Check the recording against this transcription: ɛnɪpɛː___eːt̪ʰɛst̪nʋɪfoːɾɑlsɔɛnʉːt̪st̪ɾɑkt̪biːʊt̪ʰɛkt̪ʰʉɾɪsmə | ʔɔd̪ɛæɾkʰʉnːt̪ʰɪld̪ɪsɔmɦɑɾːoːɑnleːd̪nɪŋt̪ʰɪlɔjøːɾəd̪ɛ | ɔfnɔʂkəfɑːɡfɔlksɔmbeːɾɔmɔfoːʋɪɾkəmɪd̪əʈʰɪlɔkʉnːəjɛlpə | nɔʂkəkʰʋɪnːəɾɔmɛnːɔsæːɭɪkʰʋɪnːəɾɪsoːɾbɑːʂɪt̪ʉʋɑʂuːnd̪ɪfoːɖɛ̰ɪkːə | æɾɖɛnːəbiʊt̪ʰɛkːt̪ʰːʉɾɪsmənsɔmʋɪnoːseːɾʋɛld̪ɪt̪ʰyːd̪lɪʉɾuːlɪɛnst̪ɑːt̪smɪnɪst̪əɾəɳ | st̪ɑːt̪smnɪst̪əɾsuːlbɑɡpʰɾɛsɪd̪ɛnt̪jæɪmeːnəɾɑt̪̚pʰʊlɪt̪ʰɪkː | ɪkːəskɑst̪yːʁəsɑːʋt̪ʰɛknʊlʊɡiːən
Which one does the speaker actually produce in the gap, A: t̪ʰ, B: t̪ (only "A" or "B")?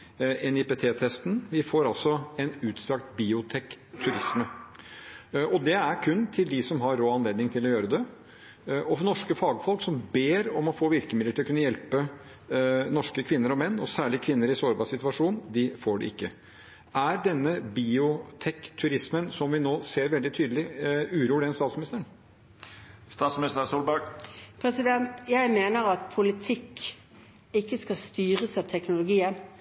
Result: A